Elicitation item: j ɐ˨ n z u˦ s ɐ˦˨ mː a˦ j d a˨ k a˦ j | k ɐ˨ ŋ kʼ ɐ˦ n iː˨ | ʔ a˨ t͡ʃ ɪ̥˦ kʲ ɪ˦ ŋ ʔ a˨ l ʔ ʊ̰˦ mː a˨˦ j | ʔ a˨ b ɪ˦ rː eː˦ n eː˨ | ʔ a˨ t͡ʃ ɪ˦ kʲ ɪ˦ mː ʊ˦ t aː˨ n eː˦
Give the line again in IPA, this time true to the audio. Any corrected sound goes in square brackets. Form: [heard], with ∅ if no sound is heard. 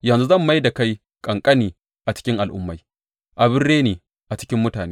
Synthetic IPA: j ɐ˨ n z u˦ [z] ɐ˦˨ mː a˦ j d a˨ k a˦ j | [kʼ] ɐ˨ ŋ kʼ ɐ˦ n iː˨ | ʔ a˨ t͡ʃ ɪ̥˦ kʲ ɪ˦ ŋ ʔ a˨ l ʔ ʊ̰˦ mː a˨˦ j | ʔ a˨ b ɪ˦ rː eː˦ n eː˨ | ʔ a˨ t͡ʃ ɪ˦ kʲ ɪ˦ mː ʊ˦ t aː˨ n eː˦